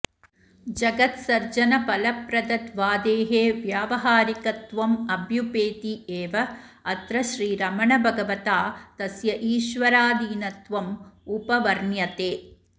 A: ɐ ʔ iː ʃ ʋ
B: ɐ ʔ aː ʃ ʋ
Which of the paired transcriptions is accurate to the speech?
A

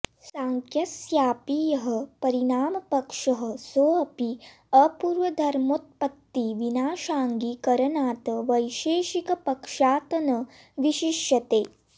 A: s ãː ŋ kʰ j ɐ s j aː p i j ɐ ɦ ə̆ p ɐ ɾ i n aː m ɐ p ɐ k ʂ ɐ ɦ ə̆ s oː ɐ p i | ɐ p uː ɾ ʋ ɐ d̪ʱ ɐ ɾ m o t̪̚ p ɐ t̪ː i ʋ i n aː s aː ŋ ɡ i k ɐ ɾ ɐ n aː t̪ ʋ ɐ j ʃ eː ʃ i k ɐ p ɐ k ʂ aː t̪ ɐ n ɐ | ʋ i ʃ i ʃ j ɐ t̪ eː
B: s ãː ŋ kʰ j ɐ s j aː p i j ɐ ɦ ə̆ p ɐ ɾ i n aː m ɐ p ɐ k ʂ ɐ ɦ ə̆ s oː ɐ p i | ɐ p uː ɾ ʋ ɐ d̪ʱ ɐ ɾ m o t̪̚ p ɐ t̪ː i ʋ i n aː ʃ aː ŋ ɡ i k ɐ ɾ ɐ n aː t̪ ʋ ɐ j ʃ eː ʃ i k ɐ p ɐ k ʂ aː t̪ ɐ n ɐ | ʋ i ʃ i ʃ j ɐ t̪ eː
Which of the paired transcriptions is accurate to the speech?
B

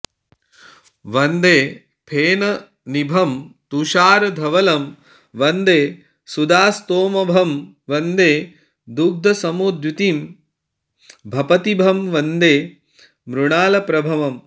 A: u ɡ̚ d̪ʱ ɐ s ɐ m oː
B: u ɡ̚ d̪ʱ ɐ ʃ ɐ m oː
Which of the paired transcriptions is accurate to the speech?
A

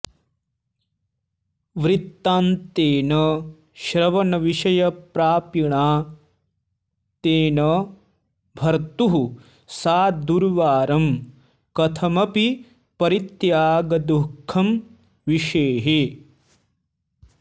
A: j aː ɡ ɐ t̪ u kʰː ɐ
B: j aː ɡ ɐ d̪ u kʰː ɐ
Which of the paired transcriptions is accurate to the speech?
B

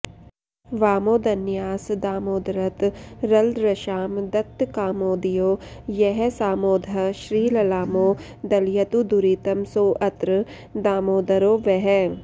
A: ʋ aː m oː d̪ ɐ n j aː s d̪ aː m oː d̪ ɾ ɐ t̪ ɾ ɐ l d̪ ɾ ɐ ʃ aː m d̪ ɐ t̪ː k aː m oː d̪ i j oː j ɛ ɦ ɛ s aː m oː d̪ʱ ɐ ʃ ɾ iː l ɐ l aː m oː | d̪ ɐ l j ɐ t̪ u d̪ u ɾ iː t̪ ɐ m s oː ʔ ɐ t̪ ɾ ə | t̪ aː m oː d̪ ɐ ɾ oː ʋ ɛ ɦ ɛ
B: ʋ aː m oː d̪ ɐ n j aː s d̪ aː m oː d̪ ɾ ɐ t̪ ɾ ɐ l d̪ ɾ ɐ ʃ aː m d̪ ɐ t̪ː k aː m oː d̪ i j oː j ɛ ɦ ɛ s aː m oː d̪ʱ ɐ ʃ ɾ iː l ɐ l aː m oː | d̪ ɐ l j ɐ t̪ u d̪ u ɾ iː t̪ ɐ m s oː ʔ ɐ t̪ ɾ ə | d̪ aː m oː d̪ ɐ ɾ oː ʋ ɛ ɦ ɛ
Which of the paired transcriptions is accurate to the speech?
B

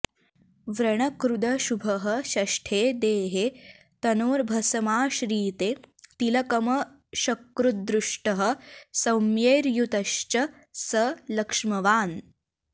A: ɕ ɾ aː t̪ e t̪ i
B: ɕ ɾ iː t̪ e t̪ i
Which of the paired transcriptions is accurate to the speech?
B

